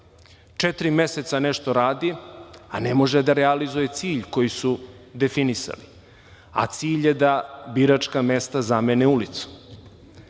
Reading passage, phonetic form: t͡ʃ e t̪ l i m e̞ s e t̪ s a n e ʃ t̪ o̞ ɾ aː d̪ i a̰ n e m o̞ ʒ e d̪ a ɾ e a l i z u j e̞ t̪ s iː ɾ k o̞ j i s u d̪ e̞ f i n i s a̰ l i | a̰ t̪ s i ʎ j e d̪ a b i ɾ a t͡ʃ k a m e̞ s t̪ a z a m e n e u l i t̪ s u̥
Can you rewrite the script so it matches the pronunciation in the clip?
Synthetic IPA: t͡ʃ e t̪ ɾ i m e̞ s e t̪ s a n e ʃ t̪ o̞ ɾ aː d̪ i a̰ n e m o̞ ʒ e d̪ a ɾ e a l i z u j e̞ t̪ s iː ʎ k o̞ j i s u d̪ e̞ f i n i s a̰ l i | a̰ t̪ s iː ʎ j e d̪ a b i ɾ a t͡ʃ k a m e̞ s t̪ a z a m e n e u l i t̪ s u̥